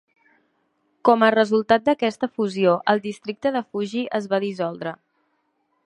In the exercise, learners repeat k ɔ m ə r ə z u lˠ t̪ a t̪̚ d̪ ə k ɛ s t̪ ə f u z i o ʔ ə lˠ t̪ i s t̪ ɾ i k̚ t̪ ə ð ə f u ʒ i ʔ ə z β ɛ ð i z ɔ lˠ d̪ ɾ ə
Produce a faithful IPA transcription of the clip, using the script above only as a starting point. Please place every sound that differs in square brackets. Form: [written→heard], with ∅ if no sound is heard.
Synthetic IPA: k ɔ m ə r ə z u lˠ t̪ a t̪̚ d̪ ə k ɛ s t̪ ə f u z i o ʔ ə lˠ [t̪→d̪] i s t̪ ɾ i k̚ t̪ ə ð ə f u ʒ i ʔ ə z β [ɛ→a] ð i z ɔ lˠ d̪ ɾ ə

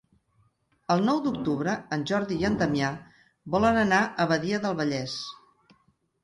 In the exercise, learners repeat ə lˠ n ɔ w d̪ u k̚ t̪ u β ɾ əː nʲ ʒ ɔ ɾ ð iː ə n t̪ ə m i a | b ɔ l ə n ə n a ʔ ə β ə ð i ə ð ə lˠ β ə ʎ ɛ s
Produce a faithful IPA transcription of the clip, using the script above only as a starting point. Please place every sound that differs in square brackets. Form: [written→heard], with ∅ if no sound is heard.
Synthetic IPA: ə lˠ n ɔ w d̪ u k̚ t̪ u β ɾ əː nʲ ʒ ɔ ɾ ð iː ə n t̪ ə m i a | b ɔ l ə n ə n a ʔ ə β ə ð i ə ð ə lˠ β ə ʎ ɛ s

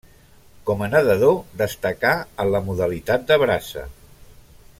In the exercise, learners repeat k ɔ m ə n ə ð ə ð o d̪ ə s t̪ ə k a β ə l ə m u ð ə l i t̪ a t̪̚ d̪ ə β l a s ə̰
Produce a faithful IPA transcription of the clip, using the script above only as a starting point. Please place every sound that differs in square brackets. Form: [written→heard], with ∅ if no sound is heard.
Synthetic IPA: k ɔ m ə n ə ð ə ð o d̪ ə s t̪ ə k a [β→∅] ə l ə m u ð ə l i t̪ a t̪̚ d̪ ə β [l→ɾ] a s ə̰

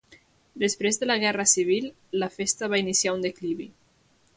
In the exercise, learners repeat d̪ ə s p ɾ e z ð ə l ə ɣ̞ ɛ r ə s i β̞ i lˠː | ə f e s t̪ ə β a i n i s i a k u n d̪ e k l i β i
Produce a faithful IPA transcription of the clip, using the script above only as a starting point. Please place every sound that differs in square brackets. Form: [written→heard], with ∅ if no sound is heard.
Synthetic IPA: d̪ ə s p ɾ e z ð ə l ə ɣ̞ ɛ r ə s i β̞ i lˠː | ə f e s t̪ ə β a i n i s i a [k→∅] u n d̪ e k l i β i

